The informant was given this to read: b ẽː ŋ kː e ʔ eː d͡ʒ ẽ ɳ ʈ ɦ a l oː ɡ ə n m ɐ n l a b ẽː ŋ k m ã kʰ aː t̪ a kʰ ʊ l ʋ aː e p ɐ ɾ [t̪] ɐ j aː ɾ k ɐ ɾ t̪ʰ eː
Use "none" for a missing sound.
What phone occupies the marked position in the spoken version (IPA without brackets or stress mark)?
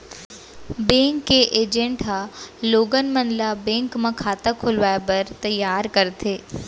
t̪